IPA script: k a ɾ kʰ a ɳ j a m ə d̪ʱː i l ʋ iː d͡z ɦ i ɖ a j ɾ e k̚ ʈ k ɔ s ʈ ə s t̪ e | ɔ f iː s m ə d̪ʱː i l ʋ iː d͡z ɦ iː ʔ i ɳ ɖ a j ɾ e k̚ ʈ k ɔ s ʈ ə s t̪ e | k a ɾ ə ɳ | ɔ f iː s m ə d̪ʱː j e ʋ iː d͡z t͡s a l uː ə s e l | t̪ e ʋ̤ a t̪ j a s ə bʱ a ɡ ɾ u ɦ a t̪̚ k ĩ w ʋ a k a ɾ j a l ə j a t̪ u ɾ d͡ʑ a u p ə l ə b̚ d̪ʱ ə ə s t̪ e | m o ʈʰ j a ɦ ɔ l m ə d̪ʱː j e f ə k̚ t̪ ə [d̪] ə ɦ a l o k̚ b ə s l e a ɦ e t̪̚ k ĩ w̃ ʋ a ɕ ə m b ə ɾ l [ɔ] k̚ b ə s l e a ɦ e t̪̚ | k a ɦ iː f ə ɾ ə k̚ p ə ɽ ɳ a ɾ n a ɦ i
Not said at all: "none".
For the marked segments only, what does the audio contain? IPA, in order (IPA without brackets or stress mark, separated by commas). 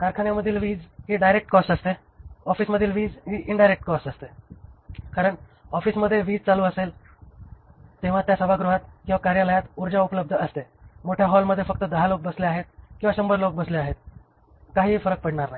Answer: d̪, o